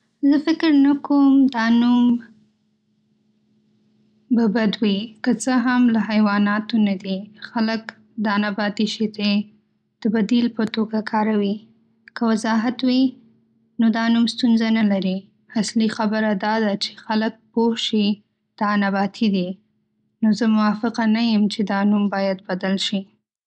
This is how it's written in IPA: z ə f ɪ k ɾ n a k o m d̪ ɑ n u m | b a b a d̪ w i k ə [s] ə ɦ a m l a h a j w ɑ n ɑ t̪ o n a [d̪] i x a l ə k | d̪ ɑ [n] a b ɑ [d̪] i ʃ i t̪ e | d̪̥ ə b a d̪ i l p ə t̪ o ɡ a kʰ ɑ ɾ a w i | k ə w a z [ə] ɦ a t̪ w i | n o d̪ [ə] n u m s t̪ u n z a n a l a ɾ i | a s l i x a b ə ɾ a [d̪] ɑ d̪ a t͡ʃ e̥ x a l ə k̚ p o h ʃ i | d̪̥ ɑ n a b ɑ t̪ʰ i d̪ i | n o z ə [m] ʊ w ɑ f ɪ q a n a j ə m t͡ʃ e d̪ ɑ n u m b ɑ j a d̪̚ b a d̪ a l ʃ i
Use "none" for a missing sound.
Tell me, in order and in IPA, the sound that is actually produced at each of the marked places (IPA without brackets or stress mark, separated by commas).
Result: t͡s, d̪, n, t̪, ɑ, ɑ, d̪, m